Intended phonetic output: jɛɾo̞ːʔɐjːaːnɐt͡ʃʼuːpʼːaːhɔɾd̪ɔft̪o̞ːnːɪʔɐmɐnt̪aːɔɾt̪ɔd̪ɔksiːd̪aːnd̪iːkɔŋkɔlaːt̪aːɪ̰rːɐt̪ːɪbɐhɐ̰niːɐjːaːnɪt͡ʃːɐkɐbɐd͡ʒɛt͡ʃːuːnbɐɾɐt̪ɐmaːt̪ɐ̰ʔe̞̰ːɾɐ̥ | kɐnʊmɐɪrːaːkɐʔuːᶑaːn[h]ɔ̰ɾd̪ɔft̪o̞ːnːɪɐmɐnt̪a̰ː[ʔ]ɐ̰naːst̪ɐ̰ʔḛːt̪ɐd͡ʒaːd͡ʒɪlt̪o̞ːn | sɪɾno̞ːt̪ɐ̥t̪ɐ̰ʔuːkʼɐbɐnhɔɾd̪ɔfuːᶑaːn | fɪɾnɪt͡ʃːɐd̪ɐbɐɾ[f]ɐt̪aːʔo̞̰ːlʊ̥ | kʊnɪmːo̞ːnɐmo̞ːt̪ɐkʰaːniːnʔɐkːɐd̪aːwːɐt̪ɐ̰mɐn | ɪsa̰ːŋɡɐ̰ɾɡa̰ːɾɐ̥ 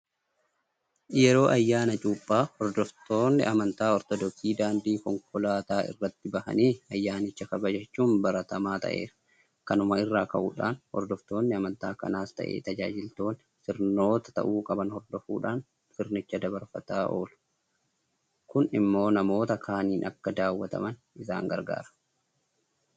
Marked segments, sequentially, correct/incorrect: correct, incorrect, correct

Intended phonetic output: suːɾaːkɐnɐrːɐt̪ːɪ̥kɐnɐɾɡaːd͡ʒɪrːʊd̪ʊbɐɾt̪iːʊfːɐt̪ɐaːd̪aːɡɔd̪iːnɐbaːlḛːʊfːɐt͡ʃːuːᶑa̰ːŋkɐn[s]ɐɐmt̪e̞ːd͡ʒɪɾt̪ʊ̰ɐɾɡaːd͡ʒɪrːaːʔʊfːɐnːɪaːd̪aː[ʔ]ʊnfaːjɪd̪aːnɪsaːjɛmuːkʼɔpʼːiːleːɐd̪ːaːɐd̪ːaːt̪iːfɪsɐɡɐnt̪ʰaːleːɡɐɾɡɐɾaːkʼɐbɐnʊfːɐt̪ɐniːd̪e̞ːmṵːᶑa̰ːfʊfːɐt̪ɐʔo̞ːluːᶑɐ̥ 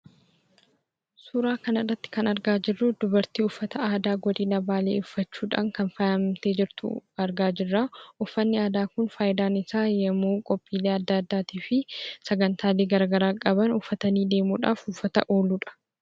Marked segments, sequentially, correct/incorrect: incorrect, incorrect

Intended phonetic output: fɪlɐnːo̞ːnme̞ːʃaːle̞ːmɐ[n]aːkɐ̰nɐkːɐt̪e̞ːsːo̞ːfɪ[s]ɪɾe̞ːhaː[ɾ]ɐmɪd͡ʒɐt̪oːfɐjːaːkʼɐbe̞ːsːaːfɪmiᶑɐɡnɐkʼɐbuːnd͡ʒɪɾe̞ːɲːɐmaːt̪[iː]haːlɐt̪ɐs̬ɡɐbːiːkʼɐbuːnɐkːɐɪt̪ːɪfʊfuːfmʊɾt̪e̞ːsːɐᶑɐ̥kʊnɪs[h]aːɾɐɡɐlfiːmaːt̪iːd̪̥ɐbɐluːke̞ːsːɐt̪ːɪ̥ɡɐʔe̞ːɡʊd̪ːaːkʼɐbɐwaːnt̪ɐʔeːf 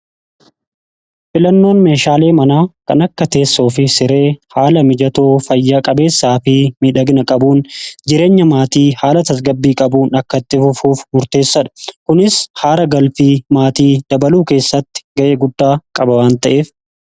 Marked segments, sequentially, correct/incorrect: correct, correct, incorrect, correct, correct

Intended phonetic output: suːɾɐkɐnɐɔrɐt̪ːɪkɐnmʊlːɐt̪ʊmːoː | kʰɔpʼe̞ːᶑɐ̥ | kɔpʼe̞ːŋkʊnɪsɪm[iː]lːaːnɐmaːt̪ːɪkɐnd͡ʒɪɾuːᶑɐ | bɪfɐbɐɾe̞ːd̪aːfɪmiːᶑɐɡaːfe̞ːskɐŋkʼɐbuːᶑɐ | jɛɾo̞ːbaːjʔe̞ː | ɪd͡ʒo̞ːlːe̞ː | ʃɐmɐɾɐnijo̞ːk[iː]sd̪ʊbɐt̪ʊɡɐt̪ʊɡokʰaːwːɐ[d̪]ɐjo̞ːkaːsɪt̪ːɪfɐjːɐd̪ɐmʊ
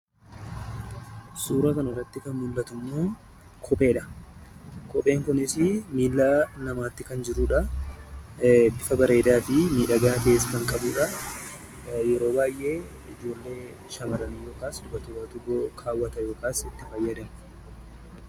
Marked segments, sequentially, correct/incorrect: correct, incorrect, incorrect

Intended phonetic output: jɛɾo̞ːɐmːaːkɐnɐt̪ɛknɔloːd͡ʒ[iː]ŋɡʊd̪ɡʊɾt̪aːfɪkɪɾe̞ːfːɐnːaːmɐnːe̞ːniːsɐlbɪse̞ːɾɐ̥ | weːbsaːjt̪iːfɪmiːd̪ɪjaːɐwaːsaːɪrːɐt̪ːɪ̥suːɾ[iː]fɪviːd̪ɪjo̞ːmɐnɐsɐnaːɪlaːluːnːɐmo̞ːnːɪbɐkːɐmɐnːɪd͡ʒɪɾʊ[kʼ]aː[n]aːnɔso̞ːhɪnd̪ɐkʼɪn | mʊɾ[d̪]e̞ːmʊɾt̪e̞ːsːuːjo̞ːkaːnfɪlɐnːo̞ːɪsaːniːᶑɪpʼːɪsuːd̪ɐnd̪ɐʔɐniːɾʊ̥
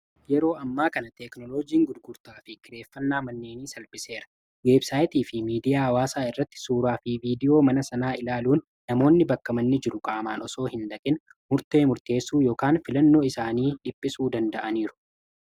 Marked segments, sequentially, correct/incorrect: correct, incorrect, correct, incorrect, incorrect

